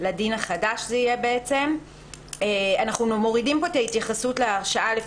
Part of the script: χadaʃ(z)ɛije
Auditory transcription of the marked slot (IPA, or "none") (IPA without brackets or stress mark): z